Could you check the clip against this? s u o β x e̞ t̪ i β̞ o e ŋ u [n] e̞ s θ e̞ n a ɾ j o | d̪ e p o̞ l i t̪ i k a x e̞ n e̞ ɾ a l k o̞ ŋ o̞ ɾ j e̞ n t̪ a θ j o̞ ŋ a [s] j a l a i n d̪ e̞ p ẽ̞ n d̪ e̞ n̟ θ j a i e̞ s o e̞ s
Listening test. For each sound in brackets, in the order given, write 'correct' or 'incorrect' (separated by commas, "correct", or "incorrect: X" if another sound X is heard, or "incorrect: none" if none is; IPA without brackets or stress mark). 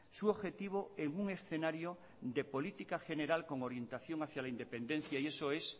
incorrect: ŋ, incorrect: θ